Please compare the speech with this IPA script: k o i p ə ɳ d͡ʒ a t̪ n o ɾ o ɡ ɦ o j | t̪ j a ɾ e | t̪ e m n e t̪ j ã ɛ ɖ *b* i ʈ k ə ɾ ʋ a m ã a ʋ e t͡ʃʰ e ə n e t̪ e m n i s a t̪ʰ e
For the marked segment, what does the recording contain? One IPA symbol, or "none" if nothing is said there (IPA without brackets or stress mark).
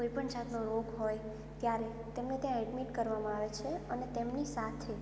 m